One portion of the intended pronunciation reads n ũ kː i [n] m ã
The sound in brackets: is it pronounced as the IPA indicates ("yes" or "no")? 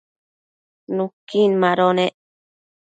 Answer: yes